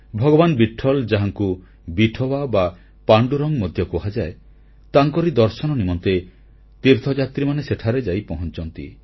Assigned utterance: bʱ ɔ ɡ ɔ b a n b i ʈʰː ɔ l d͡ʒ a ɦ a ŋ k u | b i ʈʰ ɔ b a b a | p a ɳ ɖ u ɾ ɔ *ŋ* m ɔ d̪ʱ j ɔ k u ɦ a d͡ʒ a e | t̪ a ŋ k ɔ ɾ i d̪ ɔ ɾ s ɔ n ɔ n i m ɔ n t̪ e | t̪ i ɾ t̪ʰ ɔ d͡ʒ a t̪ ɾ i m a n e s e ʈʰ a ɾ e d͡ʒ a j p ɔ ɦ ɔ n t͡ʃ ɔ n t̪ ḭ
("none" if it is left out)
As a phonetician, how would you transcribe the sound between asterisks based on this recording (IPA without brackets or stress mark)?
ŋ